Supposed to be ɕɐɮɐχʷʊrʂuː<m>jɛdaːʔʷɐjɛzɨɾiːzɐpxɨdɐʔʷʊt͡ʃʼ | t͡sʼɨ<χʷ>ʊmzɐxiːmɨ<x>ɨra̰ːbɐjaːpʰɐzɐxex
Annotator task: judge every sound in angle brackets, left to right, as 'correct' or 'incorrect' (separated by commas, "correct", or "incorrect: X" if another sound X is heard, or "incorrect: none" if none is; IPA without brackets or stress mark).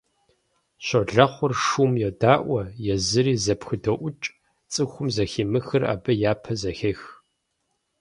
correct, incorrect: xʷ, correct